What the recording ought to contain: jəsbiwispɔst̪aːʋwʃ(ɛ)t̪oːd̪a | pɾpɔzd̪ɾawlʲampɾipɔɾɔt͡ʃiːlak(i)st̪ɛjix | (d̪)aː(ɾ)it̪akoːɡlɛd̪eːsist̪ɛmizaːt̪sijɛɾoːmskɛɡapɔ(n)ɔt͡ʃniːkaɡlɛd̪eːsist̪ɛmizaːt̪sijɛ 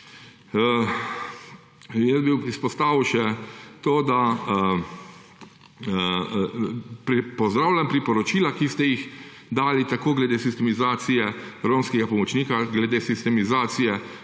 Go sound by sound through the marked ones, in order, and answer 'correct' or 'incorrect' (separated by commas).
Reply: correct, correct, correct, incorrect, incorrect